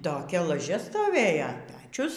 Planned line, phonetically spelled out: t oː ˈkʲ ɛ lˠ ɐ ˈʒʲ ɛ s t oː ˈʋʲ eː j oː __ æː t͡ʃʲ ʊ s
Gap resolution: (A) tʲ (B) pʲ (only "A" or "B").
B